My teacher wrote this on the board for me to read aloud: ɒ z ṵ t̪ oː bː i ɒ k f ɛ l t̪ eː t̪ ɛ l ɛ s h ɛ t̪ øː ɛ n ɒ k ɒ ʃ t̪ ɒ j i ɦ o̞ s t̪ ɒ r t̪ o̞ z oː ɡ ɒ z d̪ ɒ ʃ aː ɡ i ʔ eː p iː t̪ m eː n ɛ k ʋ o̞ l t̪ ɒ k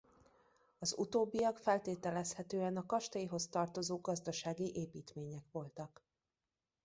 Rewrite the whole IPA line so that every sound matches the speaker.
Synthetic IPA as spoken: ɒ z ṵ t̪ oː bː i ɒ k f ɛ l t̪ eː t̪ ɛ l ɛ s h ɛ t̪ øː ɛ n ɒ k ɒ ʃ t̪ ɒ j i ɦ o̞ s t̪ ɒ r t̪ o̞ z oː ɡ ɒ z d̪ ɒ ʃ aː ɡ i ʔ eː p iː t̪ m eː ɲ ɛ k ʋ o̞ l t̪ ɒ k